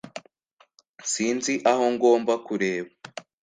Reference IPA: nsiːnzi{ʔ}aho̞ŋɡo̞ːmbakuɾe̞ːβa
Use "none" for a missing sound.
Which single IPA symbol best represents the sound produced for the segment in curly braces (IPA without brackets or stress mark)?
ʔ